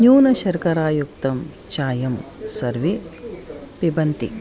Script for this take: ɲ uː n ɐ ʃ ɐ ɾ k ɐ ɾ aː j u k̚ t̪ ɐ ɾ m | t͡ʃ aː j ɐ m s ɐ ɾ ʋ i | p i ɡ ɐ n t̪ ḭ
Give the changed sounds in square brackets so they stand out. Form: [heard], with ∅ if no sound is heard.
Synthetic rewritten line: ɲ uː n ɐ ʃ ɐ ɾ k ɐ ɾ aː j u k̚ t̪ ɐ [∅] m | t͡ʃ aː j ɐ m s ɐ ɾ ʋ i | p i [b] ɐ n t̪ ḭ